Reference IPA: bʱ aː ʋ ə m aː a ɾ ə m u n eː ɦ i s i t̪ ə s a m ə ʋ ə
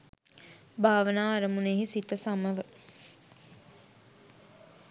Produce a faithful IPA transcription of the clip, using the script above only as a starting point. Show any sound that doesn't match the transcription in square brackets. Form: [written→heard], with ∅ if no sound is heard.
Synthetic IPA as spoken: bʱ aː ʋ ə [m→n] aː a ɾ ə m u n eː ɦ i s i t̪ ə s a m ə ʋ ə